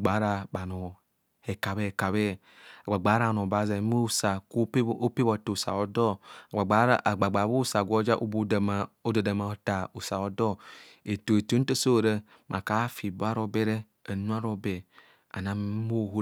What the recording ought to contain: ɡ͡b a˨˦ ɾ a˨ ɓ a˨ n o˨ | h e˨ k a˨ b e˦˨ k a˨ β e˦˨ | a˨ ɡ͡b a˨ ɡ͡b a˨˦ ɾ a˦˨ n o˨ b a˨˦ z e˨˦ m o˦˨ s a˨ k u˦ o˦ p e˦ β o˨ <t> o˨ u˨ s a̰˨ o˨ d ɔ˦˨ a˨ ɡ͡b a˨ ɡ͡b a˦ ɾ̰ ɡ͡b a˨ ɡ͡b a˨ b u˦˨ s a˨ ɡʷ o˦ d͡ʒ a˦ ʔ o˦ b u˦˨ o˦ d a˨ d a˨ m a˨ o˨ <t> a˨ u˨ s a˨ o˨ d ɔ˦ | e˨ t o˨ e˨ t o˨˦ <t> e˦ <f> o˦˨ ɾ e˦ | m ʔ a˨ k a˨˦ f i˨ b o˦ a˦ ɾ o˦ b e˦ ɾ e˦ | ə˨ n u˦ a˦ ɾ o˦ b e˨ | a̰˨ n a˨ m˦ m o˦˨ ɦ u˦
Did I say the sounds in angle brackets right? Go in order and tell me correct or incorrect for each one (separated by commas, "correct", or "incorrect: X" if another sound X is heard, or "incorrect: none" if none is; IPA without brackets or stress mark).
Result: correct, correct, correct, incorrect: s